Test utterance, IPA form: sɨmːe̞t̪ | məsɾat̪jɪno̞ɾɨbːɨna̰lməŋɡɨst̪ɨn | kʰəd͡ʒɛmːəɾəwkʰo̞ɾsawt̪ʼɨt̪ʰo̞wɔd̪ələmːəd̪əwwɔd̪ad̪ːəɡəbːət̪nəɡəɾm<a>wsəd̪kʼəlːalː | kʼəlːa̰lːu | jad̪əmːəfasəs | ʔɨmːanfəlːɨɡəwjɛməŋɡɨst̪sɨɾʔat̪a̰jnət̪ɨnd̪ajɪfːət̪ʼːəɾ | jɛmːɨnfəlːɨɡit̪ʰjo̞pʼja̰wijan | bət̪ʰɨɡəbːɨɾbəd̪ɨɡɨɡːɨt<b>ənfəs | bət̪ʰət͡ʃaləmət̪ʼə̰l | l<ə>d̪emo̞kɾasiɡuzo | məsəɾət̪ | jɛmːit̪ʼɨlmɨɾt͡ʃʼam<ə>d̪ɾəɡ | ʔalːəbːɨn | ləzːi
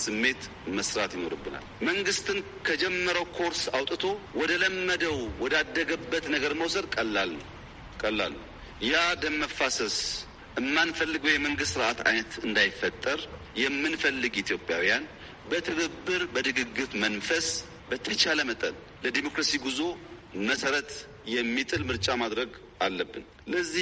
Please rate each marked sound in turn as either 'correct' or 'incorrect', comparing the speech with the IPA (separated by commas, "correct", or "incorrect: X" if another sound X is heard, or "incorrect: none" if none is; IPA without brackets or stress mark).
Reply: incorrect: ə, incorrect: m, correct, incorrect: a